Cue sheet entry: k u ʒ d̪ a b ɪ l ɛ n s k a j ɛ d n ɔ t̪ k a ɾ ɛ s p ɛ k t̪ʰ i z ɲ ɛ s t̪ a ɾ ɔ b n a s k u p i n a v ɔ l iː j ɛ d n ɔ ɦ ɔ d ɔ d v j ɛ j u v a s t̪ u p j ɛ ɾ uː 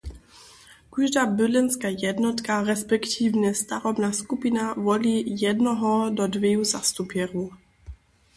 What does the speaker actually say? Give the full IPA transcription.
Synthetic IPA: k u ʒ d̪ a b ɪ l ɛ n s k a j ɛ d n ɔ t̪ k a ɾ ɛ s p ɛ k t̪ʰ i v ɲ ɛ s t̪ a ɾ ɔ b n a s k u p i n a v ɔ l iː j ɛ d n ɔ ɦ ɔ d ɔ d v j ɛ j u z a s t̪ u p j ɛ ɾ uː